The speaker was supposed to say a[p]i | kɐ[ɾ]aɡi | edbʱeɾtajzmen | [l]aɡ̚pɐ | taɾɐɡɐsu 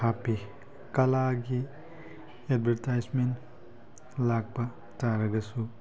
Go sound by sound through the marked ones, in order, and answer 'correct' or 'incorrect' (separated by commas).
correct, incorrect, correct